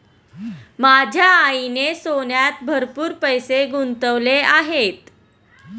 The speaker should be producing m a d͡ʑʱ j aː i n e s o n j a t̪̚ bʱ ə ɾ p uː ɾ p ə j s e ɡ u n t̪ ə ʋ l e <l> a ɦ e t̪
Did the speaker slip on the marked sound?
yes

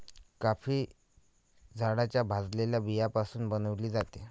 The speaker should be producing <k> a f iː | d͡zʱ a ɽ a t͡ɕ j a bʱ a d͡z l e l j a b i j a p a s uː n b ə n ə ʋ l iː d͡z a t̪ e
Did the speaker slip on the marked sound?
no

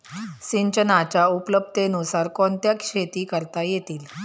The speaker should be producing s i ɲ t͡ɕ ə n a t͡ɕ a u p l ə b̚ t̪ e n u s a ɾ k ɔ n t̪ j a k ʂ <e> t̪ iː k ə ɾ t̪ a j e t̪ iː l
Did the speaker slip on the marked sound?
no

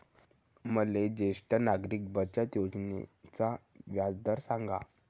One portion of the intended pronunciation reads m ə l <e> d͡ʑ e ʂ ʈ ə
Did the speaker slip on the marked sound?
no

